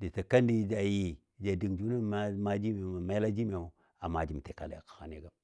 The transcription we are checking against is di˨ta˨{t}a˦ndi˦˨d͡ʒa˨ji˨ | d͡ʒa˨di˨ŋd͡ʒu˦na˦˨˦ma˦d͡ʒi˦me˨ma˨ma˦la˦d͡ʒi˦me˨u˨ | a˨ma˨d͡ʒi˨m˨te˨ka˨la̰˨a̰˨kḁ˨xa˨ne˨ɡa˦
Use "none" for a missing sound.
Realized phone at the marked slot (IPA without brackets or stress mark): k